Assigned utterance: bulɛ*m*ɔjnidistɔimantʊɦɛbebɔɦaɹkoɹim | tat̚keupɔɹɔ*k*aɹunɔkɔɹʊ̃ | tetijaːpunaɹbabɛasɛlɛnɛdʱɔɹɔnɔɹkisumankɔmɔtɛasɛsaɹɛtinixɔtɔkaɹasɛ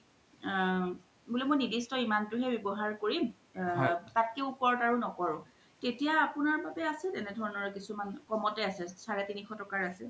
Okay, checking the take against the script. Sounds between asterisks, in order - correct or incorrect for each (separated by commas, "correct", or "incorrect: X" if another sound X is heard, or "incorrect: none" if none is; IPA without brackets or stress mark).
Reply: correct, incorrect: t